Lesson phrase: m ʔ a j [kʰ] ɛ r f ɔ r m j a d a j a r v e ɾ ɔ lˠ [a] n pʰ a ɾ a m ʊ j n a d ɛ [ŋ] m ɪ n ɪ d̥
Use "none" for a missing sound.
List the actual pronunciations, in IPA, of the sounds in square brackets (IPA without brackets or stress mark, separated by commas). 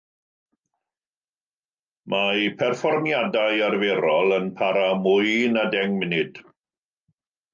pʰ, ə, ŋ